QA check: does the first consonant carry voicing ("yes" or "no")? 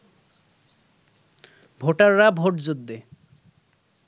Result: yes